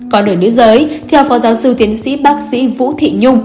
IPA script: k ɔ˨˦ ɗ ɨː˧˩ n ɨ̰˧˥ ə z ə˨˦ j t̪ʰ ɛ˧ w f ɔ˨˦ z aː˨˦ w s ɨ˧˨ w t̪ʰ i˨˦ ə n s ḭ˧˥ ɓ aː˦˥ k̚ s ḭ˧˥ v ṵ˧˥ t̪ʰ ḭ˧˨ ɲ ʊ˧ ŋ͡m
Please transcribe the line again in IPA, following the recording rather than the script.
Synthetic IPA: k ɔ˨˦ ɗ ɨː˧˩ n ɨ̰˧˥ ə z əː˨˦ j t̪ʰ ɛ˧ w f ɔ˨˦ z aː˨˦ w s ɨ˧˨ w t̪ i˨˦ ə n s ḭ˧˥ ɓ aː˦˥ k̚ s ḭ˧˥ v ṵ˧˥ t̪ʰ ḭ˧˨ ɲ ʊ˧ ŋ͡m